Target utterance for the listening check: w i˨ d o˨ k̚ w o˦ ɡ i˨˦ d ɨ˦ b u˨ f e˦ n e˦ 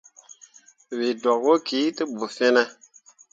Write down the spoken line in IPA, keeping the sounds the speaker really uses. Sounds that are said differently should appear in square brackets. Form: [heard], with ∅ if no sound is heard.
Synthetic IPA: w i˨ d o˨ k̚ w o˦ [k] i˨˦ [t] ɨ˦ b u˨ f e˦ n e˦

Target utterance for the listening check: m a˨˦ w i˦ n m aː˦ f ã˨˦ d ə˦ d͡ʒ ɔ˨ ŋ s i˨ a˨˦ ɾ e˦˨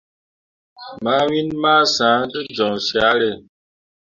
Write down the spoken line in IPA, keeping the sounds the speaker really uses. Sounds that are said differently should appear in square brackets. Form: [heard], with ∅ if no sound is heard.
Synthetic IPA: m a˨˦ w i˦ n m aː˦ [s] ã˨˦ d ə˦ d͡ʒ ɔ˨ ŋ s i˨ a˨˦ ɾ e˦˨

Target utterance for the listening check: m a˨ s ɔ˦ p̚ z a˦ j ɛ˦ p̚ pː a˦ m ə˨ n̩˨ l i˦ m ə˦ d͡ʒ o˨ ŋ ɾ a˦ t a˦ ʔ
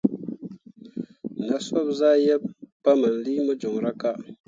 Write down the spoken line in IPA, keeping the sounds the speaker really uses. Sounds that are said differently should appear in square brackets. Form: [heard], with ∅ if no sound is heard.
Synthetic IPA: [n] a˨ s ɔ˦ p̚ z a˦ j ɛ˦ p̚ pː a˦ m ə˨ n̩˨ l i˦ m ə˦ d͡ʒ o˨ ŋ ɾ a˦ [k] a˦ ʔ

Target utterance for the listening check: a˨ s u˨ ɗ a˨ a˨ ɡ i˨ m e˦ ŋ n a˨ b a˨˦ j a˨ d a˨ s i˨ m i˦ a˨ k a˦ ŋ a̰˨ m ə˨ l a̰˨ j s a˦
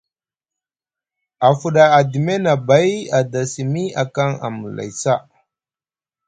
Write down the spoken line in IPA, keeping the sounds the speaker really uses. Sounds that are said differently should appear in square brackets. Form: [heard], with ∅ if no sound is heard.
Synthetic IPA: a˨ [f] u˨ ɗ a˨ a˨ [d] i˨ m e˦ [∅] n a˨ b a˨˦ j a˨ d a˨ s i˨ m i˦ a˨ k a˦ ŋ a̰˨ m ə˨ l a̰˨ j s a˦

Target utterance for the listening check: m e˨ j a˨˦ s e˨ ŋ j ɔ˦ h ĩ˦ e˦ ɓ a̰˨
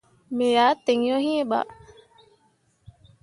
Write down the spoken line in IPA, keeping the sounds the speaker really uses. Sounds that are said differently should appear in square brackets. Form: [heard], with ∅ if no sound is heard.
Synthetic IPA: m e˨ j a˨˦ [t] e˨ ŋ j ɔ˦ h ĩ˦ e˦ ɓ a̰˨

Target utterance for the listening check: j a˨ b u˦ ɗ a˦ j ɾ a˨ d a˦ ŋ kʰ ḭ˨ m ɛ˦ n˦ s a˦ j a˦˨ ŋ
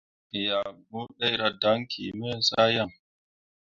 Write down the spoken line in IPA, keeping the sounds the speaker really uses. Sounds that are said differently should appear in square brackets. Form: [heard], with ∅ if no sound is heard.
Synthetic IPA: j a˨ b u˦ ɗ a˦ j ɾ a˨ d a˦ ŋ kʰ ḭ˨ m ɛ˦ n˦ s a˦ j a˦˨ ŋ

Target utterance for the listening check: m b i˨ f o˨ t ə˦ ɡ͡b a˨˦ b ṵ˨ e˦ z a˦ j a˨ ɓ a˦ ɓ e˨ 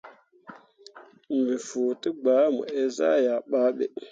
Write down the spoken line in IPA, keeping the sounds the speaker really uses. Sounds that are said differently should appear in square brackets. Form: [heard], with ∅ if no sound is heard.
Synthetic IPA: m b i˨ f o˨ t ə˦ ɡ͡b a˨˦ [m] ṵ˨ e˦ z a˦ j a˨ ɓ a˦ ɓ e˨

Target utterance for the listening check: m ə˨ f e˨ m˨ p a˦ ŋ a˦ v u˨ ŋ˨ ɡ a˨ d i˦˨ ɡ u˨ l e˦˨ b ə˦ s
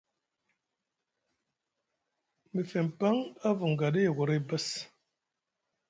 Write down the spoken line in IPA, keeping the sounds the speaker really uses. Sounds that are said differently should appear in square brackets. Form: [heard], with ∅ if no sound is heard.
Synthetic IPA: m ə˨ f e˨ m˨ p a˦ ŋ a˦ v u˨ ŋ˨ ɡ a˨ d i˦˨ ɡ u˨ [ɾ] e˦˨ b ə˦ s

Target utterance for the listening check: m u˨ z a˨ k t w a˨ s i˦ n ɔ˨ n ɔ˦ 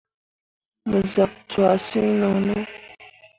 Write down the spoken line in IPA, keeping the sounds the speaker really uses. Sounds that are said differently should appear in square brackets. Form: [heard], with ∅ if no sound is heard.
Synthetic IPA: m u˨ z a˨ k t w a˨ s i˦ n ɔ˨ n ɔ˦

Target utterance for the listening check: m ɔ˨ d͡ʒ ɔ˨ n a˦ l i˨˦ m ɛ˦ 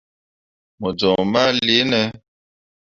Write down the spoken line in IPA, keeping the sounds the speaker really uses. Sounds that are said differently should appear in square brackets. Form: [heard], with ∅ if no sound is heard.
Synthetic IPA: m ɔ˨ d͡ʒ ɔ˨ [m] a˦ l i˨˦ [n] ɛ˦

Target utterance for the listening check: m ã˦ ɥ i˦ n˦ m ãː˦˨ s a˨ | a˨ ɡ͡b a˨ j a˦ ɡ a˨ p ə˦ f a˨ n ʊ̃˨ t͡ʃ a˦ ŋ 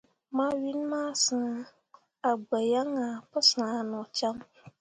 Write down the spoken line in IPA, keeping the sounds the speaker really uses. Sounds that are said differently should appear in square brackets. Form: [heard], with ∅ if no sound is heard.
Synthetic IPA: m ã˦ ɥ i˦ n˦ m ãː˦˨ s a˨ | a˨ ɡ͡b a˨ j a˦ [ŋ] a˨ p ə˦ [s] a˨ n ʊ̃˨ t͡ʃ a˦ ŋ

